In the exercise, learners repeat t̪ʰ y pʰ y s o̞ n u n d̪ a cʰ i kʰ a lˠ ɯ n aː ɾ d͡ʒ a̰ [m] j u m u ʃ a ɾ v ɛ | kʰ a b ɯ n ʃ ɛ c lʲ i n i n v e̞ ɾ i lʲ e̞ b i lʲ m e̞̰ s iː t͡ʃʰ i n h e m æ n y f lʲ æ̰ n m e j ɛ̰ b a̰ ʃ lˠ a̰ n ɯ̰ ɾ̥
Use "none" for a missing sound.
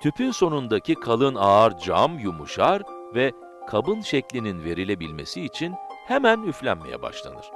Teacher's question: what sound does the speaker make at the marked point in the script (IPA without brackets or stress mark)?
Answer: m